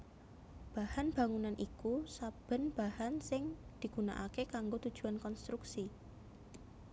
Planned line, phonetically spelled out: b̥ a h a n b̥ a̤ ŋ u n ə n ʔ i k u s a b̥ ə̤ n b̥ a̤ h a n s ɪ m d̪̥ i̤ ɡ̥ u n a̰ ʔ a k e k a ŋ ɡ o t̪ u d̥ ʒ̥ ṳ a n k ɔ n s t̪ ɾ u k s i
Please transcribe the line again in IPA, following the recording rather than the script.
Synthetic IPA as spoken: b̥ a h a n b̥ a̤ ŋ u n a n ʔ i k u s a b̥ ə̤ n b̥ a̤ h a n s ɪ ŋ d̪̥ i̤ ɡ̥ u n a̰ ʔ a k e k a ŋ ɡ o t̪ u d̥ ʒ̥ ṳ a n k ɔ n s t̪ ɾ u k s i

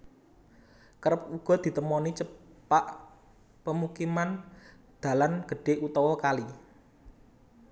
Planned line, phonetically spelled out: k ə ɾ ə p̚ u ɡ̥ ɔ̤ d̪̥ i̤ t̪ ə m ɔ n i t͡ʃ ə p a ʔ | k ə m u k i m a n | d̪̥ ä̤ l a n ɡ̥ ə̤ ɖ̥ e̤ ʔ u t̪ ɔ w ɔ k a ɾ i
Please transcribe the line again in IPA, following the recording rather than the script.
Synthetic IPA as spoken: k ə ɾ ə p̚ u ɡ̥ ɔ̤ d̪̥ i̤ t̪ ə m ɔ n i t͡ʃ ə p a ʔ | p ə m u k i m a n | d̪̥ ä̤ l a n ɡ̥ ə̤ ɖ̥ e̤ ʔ u t̪ ɔ w ɔ k a l i

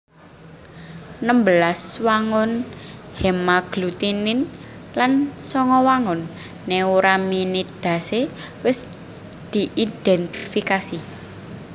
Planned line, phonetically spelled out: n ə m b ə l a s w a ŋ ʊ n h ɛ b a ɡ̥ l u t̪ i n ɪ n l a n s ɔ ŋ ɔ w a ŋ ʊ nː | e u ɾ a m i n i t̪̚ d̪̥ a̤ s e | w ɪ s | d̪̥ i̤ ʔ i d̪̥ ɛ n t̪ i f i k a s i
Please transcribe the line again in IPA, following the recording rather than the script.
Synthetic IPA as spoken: n ə m b ə l a s w a ŋ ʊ n h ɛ m a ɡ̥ l u t̪ i n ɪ n l a n s ɔ ŋ ɔ w a ŋ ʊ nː | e u ɾ a m i n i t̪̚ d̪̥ a̤ s e | w ɪ s | d̪̥ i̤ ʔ i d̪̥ ɛ n t̪ i f i k a s i

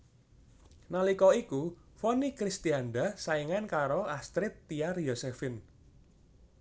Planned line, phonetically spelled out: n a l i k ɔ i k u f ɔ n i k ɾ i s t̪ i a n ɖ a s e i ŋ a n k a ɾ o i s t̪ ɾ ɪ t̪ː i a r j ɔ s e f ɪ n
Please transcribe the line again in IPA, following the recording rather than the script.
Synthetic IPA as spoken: n a l i k ɔ i k u f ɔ n i k ɾ i s t̪ i a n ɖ a s a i ŋ a n k a ɾ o a s t̪ ɾ ɪ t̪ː i a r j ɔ s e f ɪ n

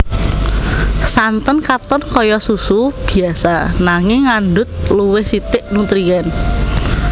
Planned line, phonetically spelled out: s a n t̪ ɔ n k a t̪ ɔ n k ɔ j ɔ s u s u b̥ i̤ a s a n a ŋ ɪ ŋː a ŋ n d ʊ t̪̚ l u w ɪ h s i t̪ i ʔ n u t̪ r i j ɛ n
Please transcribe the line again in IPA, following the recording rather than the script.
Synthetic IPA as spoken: s a n t̪ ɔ n k a t̪ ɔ n k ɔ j ɔ s u s u b̥ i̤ a s a n a ŋ ɪ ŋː a n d ʊ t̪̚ l u w ɪ h s i t̪ ɪ ʔ n u t̪ ɾ i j ɛ n

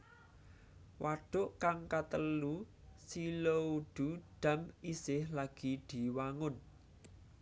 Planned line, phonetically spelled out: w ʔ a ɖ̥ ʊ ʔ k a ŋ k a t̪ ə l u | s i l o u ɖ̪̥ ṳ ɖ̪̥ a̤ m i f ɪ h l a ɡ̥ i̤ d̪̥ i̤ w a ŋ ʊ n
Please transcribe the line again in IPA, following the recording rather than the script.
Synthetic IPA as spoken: w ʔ a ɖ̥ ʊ ʔ k a ŋ k a t̪ ə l u | s i l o u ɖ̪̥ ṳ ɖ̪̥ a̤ m i s ɪ h l a ɡ̥ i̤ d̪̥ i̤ w a ŋ ʊ n

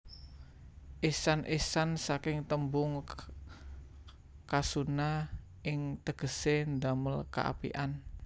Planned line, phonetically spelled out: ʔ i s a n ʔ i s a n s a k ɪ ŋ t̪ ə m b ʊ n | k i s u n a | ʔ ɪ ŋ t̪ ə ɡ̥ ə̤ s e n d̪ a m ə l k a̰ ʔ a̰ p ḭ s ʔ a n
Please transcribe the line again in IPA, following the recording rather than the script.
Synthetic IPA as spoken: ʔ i s a n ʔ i s a n s a k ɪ ŋ t̪ ə m b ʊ ŋ | k a s u n a | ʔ ɪ ŋ t̪ ə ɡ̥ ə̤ s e n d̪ a m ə l k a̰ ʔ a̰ p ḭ ʔ a n

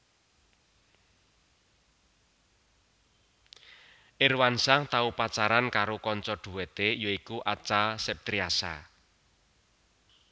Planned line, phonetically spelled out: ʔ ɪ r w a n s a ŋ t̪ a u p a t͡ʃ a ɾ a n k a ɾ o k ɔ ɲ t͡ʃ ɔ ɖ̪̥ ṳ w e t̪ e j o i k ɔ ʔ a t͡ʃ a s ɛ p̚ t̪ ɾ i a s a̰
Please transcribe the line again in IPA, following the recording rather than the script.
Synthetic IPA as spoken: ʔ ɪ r w a n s a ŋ t̪ a u p a t͡ʃ a ɾ a n k a ɾ o k ɔ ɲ t͡ʃ ɔ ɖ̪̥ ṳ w e t̪ e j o i k u ʔ a t͡ʃ a s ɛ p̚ t̪ ɾ i a s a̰

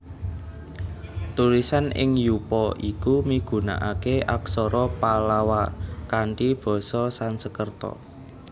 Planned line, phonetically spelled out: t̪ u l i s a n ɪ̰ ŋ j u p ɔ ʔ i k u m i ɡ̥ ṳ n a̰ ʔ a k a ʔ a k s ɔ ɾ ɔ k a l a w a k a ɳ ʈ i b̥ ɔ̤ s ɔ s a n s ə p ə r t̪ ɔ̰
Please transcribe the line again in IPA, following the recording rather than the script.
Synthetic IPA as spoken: t̪ u l i s a n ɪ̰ ŋ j u p ɔ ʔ i k u m i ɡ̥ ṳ n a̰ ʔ a k e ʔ a k s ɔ ɾ ɔ p a l a w a k a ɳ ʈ i b̥ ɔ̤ s ɔ s a n s ə k ə r t̪ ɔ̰

